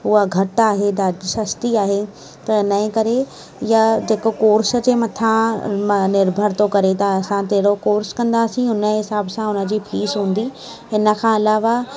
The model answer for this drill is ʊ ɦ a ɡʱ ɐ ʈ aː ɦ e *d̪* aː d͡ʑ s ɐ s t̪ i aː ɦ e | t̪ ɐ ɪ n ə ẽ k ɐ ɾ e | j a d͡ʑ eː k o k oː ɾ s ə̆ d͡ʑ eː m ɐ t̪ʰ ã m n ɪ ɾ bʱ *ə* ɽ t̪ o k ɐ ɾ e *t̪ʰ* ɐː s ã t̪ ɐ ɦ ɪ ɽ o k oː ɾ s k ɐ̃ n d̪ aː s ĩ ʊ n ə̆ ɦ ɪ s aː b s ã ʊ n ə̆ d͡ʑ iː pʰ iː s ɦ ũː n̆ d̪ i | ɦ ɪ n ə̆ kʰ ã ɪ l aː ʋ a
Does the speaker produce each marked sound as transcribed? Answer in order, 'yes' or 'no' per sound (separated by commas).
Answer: yes, yes, no